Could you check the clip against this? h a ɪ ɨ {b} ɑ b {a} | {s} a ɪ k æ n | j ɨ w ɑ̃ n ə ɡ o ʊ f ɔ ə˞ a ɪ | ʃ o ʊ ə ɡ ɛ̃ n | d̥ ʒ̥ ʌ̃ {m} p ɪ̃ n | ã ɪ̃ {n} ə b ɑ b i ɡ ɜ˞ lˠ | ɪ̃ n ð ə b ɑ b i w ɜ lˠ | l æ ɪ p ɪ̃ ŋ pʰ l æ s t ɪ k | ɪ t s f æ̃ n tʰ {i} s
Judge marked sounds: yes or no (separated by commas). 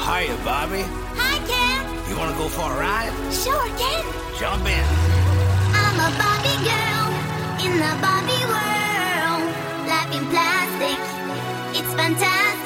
yes, no, no, yes, no, no